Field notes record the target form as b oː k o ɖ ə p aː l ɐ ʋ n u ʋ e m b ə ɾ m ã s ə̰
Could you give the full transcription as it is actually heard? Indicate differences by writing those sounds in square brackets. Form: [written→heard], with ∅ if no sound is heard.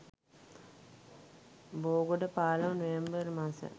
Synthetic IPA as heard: b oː [k→ɡ] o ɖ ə p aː l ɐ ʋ n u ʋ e m b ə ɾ m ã s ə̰